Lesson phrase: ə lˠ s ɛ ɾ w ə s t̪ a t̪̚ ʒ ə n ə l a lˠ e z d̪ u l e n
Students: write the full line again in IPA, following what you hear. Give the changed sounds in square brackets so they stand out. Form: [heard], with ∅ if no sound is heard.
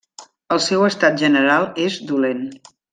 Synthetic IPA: ə lˠ s ɛ [∅] w ə s t̪ a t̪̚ ʒ ə n ə [ɾ] a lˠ e z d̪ u l e n